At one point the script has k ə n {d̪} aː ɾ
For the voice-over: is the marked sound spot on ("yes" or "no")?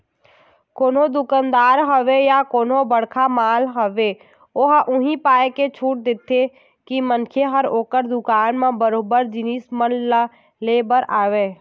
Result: yes